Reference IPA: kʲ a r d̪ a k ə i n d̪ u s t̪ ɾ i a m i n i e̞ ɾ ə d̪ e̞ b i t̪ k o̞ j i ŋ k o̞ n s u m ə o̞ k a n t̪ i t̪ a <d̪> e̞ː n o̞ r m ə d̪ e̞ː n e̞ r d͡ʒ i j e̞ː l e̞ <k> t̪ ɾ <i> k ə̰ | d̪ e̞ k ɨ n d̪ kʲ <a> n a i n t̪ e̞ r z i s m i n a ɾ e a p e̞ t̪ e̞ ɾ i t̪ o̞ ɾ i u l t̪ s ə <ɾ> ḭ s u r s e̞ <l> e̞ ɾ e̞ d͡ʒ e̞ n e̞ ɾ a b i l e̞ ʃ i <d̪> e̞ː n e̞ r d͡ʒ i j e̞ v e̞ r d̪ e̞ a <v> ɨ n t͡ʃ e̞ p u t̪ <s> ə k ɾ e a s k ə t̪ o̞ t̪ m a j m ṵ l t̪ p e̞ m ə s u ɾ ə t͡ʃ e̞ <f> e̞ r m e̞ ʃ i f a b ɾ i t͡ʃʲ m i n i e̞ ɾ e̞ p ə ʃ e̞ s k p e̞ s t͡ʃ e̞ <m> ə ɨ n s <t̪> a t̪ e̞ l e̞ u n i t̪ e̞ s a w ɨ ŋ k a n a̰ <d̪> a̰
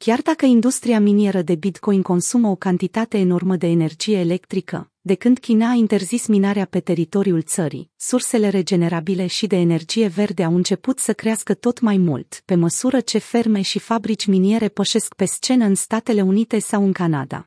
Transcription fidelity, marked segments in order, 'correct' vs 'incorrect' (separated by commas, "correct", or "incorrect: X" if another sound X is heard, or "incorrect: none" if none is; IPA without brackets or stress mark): incorrect: t̪, correct, correct, incorrect: i, correct, correct, correct, incorrect: w, correct, correct, incorrect: n, correct, correct